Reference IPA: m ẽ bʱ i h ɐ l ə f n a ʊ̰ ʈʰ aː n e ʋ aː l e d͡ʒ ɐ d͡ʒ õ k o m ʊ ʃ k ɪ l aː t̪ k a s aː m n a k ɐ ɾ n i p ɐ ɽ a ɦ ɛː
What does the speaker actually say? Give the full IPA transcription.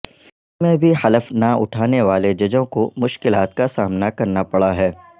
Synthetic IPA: m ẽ bʱ i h ɐ l ə f n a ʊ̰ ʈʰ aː n e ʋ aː l e d͡ʒ ɐ d͡ʒ õ k o m ʊ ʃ k ɪ l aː t̪ k a s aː m n a k ɐ ɾ n a p ɐ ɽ a ɦ ɛː